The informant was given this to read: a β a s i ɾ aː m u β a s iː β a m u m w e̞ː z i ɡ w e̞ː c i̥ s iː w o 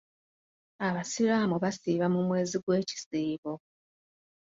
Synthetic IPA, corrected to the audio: a β a s i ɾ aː m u β a s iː β a m u m w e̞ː z i ɡ w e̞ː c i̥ s iː β o